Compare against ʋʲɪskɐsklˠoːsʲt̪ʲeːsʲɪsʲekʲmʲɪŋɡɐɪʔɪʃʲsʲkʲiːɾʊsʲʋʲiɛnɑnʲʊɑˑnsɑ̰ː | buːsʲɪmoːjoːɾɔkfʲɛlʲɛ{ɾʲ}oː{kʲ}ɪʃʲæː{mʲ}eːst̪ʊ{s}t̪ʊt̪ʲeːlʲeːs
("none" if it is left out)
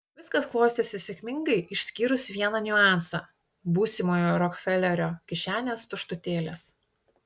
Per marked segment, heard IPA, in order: ɾʲ, kʲ, nʲ, ʃ

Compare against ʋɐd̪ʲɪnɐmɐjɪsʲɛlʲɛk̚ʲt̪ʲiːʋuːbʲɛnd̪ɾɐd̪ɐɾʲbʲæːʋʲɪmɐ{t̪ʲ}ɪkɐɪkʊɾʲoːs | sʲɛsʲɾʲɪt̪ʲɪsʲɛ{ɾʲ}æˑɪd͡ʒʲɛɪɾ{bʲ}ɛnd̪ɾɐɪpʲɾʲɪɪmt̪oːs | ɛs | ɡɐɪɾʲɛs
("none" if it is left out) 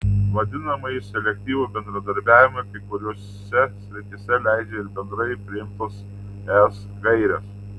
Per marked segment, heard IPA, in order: none, lʲ, bʲ

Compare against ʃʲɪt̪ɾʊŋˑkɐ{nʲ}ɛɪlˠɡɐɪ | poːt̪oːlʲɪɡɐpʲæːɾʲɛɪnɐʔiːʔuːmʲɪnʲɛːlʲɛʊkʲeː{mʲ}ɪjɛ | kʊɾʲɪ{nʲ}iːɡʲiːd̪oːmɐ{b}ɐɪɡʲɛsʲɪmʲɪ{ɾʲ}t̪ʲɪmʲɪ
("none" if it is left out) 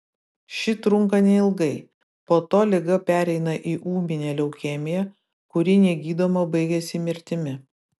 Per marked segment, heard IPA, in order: nʲ, mʲ, nʲ, b, ɾʲ

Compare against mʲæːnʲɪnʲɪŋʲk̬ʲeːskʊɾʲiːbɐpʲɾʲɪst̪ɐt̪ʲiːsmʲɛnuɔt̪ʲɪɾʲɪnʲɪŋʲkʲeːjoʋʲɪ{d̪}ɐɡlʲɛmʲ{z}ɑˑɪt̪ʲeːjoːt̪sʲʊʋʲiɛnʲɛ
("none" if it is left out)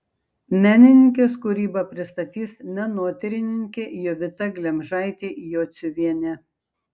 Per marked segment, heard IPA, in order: t̪, ʒ

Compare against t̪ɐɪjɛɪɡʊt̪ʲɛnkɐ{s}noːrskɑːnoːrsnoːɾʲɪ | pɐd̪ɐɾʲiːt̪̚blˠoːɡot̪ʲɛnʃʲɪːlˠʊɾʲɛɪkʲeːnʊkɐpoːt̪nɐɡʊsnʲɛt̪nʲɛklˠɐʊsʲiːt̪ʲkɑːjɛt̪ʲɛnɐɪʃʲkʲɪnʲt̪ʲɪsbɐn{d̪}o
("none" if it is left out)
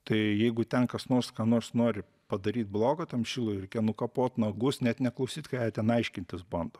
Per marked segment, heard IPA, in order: s, d̪

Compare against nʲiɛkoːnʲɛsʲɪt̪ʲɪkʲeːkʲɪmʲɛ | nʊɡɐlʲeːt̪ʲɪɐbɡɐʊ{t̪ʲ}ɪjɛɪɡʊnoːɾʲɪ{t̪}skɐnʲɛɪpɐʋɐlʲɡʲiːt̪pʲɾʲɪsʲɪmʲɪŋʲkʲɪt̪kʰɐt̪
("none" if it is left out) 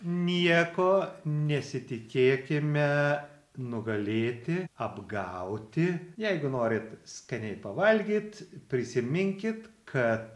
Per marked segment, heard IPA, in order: t̪ʲ, t̪

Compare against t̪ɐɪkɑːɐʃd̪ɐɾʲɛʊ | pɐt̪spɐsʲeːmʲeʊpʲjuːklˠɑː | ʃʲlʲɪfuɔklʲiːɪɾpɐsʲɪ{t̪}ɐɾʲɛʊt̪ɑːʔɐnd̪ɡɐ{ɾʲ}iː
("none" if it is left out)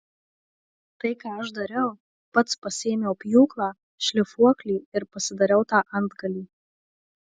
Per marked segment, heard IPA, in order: d̪, lʲ

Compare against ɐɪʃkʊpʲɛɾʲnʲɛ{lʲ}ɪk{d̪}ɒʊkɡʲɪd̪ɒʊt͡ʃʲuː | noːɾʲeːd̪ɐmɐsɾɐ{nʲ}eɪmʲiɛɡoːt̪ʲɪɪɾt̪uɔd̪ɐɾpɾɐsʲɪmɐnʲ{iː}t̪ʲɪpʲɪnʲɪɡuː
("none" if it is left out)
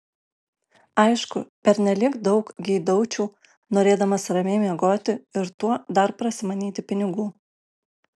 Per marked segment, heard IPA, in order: lʲ, d̪, mʲ, iː

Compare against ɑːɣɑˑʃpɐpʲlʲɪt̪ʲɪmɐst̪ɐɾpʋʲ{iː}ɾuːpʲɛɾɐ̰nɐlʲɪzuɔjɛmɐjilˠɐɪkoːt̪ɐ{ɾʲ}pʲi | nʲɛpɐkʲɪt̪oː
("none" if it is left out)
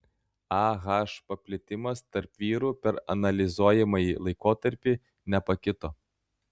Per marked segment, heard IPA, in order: iː, ɾʲ

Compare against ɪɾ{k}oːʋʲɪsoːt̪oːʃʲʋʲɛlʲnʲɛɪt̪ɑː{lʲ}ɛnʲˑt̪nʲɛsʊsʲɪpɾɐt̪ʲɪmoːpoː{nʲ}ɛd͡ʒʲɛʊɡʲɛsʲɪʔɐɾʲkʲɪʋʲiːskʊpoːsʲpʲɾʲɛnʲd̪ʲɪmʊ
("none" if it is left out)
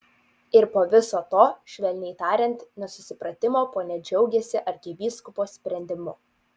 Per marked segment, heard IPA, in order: p, ɾʲ, nʲ

